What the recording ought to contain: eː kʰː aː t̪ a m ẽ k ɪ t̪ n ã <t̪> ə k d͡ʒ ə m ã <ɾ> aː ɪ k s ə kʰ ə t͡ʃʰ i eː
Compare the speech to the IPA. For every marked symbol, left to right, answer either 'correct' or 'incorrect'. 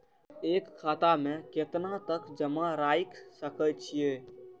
correct, correct

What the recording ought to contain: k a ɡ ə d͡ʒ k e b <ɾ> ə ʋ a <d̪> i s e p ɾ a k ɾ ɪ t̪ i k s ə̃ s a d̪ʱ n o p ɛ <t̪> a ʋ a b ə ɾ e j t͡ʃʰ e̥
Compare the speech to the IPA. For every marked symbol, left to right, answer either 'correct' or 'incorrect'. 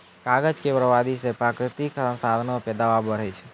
correct, correct, incorrect

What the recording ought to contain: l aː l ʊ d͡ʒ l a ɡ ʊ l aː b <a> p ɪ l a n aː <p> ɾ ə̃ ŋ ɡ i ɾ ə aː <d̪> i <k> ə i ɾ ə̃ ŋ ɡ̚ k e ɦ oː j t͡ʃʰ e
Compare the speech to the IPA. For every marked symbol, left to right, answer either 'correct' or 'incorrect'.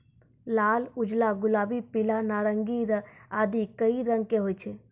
incorrect, incorrect, correct, correct

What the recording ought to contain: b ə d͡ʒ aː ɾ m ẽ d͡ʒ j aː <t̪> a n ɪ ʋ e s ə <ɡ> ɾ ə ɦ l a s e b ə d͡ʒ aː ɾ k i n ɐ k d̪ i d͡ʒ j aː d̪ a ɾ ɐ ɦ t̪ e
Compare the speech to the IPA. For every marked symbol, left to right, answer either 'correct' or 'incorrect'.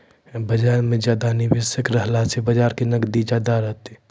incorrect, incorrect

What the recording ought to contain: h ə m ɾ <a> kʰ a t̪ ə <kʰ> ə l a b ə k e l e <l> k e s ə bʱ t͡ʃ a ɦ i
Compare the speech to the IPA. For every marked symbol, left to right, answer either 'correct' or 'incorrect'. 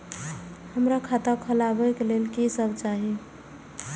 correct, correct, correct

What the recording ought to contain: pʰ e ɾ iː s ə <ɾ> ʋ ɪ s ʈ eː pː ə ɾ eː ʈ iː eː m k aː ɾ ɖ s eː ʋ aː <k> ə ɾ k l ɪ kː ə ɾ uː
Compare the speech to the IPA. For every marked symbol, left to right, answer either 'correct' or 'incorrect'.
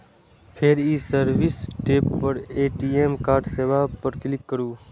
correct, incorrect

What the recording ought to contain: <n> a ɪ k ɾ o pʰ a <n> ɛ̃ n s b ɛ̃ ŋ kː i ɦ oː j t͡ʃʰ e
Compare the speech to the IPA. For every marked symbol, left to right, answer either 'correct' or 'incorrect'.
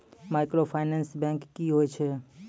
incorrect, correct

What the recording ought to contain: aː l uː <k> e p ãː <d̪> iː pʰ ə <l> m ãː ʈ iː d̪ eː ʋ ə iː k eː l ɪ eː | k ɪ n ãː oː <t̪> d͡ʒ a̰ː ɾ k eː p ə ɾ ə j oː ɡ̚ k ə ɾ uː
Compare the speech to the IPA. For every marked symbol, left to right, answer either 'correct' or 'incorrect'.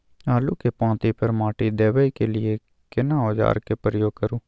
correct, incorrect, incorrect, incorrect

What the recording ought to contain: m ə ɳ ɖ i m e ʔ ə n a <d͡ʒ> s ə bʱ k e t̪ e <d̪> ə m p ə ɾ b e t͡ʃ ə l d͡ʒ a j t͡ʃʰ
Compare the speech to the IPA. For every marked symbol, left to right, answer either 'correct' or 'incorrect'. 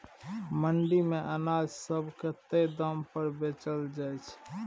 correct, correct

